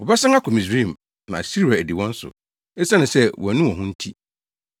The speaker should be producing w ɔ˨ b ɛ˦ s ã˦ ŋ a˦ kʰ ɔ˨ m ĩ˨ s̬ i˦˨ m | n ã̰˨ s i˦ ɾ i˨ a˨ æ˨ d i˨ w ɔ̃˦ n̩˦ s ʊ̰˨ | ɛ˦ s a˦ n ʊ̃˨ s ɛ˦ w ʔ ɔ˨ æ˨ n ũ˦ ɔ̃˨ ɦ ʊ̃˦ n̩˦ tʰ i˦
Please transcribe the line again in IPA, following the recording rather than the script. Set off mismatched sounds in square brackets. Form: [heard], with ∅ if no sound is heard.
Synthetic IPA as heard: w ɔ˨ b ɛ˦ s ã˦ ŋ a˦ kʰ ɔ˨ m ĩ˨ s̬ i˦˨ m | n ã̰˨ s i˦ ɾ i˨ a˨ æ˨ d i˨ w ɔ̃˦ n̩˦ s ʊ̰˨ | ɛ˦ s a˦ n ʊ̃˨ s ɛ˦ w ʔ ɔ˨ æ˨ n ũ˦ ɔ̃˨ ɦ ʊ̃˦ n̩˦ tʰ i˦